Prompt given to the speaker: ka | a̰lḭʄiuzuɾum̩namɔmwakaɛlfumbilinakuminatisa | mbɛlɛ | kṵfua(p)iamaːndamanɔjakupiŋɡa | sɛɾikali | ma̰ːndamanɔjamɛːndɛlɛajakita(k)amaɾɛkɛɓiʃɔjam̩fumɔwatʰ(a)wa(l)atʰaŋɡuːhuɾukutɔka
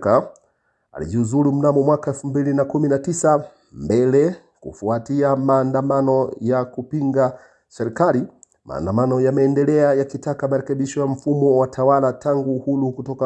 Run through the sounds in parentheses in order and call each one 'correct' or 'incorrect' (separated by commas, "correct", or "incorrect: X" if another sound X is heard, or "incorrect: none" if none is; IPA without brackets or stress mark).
incorrect: t, correct, correct, correct